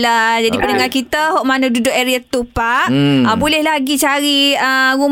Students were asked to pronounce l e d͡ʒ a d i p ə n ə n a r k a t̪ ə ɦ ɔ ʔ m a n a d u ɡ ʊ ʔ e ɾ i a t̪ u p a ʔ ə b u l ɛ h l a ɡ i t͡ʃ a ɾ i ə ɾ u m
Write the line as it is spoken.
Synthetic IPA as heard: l a d͡ʒ a d i p ə n ə ŋ a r k i t̪ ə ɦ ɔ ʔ m a n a d u d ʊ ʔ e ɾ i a t̪ u p a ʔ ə b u l ɛ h l a ɡ i t͡ʃ a ɾ i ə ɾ u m